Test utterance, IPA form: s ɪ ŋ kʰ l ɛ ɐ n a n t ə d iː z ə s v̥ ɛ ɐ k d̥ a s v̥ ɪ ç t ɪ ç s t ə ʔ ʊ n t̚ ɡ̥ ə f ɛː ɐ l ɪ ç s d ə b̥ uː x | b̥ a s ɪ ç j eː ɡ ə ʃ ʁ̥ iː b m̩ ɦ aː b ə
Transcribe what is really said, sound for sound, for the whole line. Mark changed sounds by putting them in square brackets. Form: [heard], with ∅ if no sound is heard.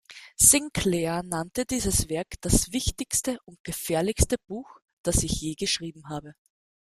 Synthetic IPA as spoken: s ɪ ŋ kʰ l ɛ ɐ n a n t ə d iː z ə s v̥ ɛ ɐ k d̥ a s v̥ ɪ ç t ɪ ç s t ə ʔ ʊ n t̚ ɡ̥ ə f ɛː ɐ l ɪ ç s [t] ə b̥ uː x | [d̥] a s ɪ ç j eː ɡ ə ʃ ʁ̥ iː b m̩ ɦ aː b ə